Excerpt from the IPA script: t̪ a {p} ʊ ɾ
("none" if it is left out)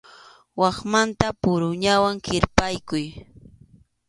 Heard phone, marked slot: p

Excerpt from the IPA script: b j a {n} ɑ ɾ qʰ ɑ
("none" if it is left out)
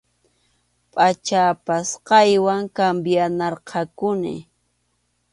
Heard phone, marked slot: n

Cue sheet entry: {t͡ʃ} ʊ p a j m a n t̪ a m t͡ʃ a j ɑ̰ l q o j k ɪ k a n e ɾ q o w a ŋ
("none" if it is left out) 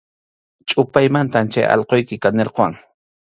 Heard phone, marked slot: t͡ʃʼ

